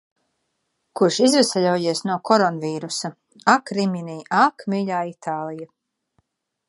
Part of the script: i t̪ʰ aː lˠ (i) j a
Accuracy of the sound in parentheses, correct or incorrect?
correct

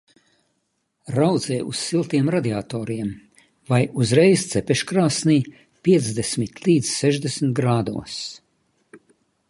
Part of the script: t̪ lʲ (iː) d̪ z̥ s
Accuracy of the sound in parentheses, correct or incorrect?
correct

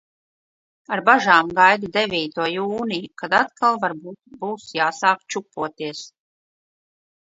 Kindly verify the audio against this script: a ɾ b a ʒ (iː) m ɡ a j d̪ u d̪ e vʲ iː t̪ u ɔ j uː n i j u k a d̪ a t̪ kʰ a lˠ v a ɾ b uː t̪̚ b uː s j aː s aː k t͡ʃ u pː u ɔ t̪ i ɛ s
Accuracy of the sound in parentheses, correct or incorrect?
incorrect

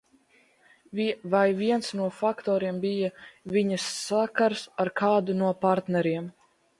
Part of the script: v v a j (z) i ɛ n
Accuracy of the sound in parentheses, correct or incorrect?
incorrect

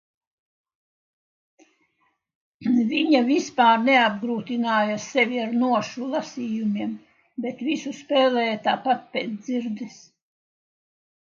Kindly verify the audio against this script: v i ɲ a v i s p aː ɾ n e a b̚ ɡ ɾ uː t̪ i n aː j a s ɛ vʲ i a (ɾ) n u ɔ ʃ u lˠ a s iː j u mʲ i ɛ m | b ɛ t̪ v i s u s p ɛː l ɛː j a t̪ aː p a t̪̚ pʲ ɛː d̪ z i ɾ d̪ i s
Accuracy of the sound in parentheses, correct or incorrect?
correct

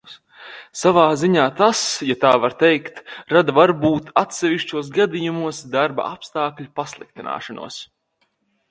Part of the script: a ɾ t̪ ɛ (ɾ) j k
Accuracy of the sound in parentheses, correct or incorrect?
incorrect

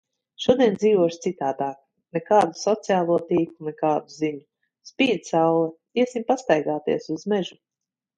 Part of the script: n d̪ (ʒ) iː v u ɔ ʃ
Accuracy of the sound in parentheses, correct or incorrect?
incorrect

